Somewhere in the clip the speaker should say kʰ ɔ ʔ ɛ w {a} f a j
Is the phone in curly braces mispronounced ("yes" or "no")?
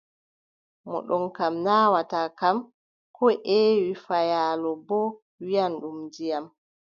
yes